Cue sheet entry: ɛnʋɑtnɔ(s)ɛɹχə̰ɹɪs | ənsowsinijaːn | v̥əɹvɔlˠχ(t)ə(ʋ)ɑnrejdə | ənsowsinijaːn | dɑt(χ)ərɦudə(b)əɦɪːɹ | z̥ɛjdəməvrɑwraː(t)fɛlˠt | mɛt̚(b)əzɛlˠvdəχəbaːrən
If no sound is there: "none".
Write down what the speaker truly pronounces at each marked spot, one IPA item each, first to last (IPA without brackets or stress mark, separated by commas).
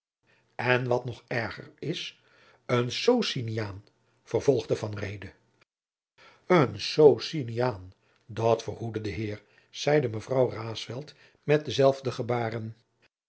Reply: χ, d, v, f, d, s, d